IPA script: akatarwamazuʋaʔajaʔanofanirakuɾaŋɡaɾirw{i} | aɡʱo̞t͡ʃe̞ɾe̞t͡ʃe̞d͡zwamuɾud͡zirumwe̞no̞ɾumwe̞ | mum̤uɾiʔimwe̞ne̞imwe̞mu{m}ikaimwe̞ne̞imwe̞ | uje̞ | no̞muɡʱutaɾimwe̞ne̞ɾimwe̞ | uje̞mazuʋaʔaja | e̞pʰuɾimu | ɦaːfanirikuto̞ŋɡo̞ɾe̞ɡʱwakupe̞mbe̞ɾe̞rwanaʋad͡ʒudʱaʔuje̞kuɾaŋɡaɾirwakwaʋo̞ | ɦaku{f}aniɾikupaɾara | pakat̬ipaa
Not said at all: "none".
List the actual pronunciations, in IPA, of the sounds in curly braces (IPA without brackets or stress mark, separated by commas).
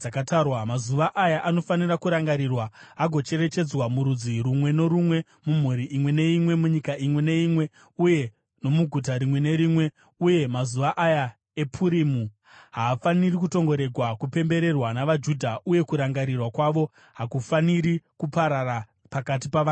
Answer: a, ɲ, f